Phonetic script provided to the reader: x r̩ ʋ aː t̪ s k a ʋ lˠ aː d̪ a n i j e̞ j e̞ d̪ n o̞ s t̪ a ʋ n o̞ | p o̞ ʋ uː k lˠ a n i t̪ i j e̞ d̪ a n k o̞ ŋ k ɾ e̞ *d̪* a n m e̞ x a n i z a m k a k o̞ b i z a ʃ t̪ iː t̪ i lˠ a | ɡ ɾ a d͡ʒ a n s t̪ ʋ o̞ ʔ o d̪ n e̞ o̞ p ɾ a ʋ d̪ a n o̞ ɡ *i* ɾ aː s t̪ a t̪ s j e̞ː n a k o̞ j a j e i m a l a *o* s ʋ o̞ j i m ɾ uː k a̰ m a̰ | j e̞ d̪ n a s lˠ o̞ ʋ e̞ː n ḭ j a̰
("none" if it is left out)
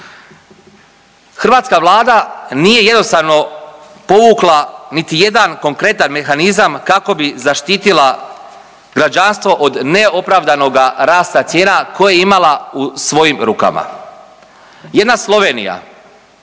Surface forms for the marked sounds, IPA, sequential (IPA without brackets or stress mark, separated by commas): t̪, a, u